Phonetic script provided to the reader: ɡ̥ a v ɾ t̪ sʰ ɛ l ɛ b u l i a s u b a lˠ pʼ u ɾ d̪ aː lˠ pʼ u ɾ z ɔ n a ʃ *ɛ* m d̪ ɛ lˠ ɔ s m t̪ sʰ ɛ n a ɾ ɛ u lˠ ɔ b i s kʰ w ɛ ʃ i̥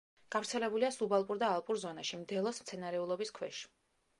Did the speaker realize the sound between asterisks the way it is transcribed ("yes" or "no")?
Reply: no